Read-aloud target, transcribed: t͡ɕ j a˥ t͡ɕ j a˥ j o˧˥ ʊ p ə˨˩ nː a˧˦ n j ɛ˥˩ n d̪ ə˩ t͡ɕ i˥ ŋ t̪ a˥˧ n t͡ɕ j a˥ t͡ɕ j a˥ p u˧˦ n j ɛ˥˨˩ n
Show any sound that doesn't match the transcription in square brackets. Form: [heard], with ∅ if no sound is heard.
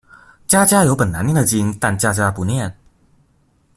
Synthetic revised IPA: t͡ɕ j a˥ t͡ɕ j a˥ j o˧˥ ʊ p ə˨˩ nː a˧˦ n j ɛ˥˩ n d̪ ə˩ t͡ɕ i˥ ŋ t̪ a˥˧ n t͡ɕ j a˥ t͡ɕ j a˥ p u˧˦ n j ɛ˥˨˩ n

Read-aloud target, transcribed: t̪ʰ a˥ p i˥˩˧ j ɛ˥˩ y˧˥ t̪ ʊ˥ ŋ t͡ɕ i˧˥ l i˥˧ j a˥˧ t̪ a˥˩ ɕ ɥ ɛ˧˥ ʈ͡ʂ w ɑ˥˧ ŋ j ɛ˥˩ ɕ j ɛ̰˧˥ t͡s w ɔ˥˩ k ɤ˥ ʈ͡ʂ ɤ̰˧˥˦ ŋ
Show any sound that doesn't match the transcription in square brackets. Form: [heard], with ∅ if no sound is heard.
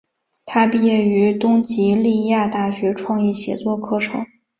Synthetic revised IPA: t̪ʰ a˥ p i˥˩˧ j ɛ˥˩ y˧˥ t̪ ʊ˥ ŋ t͡ɕ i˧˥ l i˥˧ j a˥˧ t̪ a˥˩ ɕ ɥ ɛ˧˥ [ʈ͡ʂʰ] w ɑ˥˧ ŋ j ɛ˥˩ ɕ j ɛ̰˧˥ t͡s w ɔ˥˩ [kʰ] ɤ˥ [ʈ͡ʂʰ] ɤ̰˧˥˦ ŋ

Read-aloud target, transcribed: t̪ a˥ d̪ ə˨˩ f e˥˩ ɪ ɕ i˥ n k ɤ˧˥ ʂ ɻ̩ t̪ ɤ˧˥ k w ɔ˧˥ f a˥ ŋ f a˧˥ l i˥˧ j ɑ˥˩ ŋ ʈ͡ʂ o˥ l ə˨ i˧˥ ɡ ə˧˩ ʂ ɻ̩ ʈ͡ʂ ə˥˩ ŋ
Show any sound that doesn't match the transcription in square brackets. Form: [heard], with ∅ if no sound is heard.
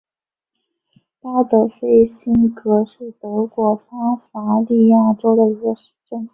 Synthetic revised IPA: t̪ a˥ d̪ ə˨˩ f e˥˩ ɪ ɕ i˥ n k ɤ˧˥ ʂ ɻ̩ t̪ ɤ˧˥ k w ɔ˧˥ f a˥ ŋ f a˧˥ l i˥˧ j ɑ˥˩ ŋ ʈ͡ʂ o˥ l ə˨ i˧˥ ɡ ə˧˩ ʂ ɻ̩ ʈ͡ʂ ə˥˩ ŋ

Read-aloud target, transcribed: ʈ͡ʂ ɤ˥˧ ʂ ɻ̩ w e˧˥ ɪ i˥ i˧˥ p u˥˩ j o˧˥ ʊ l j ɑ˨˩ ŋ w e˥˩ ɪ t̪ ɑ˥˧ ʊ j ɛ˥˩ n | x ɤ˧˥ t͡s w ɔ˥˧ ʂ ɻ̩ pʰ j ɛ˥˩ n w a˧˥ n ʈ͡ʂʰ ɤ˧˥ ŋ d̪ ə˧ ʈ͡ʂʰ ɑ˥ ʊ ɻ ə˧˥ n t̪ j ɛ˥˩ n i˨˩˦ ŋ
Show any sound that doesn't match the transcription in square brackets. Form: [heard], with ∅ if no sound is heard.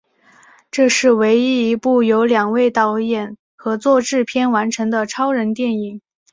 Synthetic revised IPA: ʈ͡ʂ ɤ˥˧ ʂ ɻ̩ w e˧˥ ɪ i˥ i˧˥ p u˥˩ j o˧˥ ʊ l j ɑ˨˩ ŋ w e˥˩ ɪ t̪ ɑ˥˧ ʊ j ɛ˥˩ n | x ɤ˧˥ t͡s w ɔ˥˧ [ʈ͡ʂ] ɻ̩ pʰ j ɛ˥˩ n w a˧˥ n ʈ͡ʂʰ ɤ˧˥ ŋ d̪ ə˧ ʈ͡ʂʰ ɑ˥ ʊ ɻ ə˧˥ n t̪ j ɛ˥˩ n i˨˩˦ ŋ

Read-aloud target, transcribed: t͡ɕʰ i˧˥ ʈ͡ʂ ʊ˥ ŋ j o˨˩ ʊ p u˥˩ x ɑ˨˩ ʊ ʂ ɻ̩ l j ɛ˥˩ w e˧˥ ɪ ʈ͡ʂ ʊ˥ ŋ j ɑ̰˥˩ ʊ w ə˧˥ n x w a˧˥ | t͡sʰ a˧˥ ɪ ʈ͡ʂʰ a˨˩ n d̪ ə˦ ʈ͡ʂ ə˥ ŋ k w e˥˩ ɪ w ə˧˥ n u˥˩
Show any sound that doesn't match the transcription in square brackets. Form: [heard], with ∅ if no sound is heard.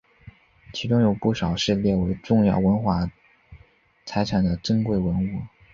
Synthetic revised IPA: t͡ɕʰ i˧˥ ʈ͡ʂ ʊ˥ ŋ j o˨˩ ʊ p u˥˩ [ʂ] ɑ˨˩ ʊ ʂ ɻ̩ l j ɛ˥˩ w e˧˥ ɪ ʈ͡ʂ [ʊ˥˧] ŋ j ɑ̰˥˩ ʊ w ə˧˥ n x w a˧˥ | t͡sʰ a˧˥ ɪ ʈ͡ʂʰ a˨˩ n d̪ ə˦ ʈ͡ʂ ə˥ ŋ k w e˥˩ ɪ w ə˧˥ n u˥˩

